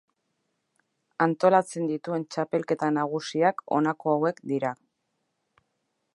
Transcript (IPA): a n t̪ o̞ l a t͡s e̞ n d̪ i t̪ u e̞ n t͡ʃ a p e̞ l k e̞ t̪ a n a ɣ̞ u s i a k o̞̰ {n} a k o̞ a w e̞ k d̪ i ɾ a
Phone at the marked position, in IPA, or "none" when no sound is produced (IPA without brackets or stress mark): n